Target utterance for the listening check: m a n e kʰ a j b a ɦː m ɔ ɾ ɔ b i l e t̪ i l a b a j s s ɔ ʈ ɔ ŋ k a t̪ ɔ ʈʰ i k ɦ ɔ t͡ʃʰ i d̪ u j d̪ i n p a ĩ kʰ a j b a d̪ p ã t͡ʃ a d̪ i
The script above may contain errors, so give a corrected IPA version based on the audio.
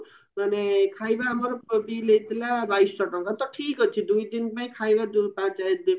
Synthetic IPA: m a n e kʰ a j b a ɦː m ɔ ɾ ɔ b i l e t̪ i l a b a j s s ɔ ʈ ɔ ŋ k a t̪ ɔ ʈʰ i k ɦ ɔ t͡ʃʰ i d̪ u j d̪ i n p a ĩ kʰ a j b a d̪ p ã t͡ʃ a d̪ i